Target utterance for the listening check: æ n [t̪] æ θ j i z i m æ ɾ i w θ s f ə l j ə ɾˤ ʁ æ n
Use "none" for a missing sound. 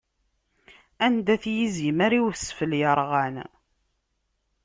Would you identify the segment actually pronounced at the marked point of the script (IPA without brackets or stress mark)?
d̪